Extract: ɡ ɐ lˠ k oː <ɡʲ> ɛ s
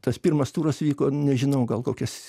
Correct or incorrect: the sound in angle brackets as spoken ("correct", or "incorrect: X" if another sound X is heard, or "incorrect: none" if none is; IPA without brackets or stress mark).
incorrect: kʲ